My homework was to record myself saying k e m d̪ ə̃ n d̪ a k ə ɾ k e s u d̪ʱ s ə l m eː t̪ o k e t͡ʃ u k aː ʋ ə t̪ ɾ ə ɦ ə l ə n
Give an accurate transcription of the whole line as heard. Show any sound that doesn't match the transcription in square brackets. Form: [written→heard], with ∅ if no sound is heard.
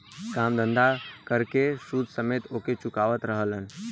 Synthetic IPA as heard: k [e→a] m d̪ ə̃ n d̪ a k ə ɾ k e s u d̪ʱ s ə [l→∅] m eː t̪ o k e t͡ʃ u k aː ʋ ə t̪ ɾ ə ɦ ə l ə n